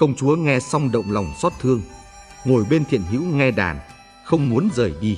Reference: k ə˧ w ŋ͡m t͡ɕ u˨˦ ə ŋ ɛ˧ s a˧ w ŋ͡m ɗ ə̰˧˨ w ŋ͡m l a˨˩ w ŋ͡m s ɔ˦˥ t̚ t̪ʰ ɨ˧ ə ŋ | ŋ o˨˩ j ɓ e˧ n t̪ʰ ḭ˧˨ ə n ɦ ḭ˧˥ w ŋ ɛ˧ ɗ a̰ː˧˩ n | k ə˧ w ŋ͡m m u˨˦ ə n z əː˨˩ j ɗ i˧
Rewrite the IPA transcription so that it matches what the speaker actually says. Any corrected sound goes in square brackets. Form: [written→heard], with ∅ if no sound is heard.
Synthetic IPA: k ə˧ w ŋ͡m t͡ɕ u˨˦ ə ŋ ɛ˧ s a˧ w ŋ͡m ɗ ə̰˧˨ w ŋ͡m l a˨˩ w ŋ͡m s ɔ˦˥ t̚ t̪ʰ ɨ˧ ə ŋ | ŋ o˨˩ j ɓ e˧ n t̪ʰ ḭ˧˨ ə n ɦ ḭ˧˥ w ŋ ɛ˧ ɗ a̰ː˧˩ n | [k→x] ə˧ w ŋ͡m m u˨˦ ə n z əː˨˩ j ɗ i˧